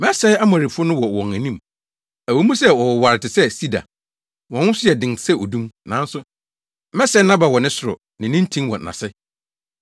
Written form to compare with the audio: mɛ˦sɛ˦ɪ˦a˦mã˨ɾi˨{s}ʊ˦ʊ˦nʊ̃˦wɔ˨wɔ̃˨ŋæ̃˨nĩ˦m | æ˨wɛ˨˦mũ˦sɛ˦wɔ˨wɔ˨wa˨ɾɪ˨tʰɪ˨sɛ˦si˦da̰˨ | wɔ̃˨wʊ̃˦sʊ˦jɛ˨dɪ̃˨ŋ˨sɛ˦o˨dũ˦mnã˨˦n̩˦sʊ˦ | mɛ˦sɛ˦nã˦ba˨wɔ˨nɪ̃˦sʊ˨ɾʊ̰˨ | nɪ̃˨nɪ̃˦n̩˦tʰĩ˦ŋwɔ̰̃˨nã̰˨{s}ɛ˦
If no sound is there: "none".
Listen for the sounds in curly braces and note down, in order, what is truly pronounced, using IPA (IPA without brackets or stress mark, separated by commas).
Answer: f, s